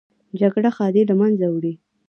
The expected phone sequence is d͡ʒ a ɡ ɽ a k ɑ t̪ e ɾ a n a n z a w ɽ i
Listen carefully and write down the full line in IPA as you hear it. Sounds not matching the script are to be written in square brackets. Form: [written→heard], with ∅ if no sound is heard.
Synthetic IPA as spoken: d͡ʒ a ɡ ɽ a [k→x] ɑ [t̪→d̪] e [ɾ→l] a [n→m] a n z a w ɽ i